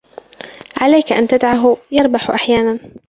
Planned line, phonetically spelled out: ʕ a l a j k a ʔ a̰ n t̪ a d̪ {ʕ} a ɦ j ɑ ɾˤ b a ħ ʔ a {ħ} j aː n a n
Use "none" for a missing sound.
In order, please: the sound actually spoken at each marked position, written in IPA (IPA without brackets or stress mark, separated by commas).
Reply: ʕ, ħ